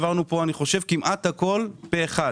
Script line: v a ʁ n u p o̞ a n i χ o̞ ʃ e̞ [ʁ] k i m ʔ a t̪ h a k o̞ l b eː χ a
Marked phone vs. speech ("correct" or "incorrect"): incorrect